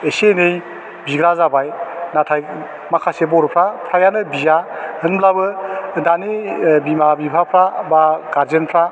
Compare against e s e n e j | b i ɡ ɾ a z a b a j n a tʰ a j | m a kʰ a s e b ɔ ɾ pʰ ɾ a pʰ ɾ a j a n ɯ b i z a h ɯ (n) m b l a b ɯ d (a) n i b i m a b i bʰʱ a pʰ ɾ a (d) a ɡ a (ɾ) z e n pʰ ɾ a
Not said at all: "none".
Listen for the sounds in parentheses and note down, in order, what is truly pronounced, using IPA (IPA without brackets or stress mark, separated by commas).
n, a, b, ɾ